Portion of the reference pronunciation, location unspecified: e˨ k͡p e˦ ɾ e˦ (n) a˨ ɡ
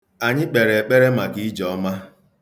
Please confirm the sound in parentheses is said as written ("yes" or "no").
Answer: no